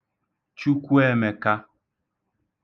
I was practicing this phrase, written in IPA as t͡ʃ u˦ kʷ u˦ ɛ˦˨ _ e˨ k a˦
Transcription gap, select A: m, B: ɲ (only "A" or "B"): A